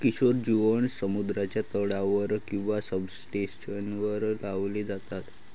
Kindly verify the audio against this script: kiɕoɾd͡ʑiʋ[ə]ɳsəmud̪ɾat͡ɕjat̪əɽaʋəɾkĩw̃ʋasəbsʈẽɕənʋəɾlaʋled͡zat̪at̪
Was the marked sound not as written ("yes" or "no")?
no